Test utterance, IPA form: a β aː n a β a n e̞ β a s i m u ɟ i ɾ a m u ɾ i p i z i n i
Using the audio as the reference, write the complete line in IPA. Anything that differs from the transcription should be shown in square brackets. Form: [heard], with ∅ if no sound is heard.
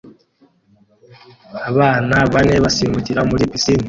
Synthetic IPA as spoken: a β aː n a β a n e̞ β a s i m u [c] i ɾ a m u ɾ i p i [s] i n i